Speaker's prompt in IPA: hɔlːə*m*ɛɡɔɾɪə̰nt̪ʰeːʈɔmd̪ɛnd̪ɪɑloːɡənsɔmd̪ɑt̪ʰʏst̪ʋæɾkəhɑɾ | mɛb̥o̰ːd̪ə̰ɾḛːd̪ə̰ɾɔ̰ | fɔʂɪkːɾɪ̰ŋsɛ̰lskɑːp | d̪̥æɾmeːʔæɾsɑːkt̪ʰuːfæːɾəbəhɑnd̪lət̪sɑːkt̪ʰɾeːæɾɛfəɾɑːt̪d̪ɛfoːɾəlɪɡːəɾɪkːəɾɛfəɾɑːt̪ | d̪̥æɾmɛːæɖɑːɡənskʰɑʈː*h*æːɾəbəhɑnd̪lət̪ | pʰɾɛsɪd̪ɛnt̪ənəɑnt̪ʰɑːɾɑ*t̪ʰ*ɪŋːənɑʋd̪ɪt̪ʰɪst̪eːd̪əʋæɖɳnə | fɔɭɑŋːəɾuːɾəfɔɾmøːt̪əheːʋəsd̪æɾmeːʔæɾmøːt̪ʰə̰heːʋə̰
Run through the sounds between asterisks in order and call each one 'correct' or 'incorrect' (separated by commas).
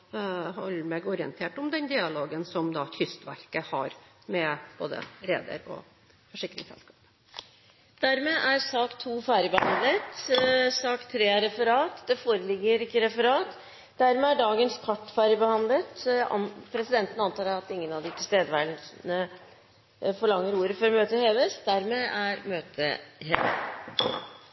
correct, incorrect, incorrect